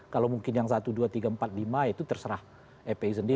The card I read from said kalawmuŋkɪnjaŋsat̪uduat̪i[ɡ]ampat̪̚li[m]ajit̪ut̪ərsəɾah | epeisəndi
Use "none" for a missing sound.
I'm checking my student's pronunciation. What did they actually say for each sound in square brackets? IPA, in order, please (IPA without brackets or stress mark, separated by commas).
ɡ, m